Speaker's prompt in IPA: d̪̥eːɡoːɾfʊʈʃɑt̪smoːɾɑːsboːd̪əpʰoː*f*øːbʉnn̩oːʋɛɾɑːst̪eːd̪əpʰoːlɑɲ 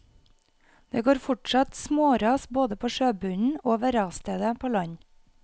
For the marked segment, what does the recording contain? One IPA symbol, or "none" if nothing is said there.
ʃ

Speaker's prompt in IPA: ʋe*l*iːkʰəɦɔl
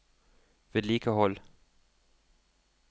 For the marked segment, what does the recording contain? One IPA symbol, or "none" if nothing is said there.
l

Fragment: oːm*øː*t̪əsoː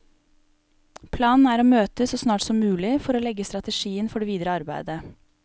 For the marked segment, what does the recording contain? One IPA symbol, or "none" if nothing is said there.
øː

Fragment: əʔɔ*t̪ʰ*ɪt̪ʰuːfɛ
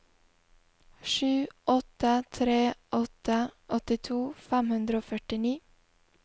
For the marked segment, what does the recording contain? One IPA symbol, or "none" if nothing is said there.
t̪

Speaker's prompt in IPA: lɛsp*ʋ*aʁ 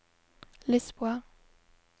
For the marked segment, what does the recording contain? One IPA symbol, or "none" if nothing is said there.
w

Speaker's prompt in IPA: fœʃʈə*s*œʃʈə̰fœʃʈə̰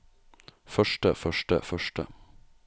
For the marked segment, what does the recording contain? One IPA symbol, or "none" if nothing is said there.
f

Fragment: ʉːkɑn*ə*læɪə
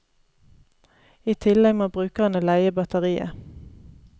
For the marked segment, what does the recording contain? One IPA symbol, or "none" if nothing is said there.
ə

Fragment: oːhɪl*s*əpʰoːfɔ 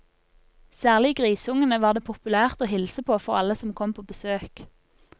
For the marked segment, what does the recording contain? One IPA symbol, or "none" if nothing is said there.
s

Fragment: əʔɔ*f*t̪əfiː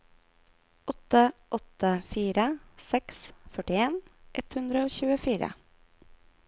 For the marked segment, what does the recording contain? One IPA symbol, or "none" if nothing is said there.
none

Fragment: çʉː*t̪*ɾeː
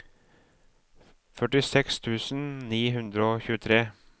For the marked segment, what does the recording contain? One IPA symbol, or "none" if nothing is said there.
t̪ʰ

